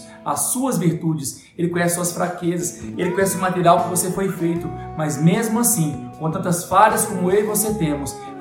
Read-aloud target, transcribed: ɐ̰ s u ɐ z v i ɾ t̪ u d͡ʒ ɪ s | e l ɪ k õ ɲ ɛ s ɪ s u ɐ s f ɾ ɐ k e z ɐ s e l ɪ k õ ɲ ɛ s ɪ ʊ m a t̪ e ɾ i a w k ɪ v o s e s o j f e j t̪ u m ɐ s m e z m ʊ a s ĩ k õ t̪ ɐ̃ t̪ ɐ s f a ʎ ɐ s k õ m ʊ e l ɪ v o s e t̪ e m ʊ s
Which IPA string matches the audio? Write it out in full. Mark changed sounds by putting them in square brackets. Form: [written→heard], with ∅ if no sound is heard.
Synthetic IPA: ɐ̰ s u ɐ z v i ɾ t̪ u d͡ʒ ɪ s | e l ɪ k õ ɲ ɛ s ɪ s u ɐ s f ɾ [ɐ→a] k e z ɐ s e l ɪ k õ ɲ ɛ s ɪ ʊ m a t̪ e ɾ i a w k ɪ v o s e [s→f] o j f e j t̪ [u→ʊ] m ɐ [s→z] m e z m ʊ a s ĩ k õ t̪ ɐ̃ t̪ ɐ s f a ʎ ɐ s k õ m ʊ e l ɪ v o s e t̪ [e→ẽ] m ʊ s